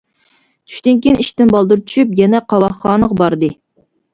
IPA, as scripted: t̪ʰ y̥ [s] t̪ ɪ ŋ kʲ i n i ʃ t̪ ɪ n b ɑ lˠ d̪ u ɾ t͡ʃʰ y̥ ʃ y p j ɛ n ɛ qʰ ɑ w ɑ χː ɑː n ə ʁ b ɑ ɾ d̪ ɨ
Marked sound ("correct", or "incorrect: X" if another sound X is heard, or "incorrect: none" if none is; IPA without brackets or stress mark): incorrect: ʃ